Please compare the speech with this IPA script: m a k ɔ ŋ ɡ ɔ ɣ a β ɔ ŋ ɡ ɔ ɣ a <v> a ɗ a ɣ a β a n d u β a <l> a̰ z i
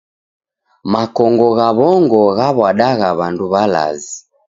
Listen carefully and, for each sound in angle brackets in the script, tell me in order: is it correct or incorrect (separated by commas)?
incorrect, correct